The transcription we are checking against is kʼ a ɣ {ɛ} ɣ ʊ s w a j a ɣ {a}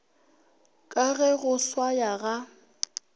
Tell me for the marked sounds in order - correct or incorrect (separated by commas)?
correct, correct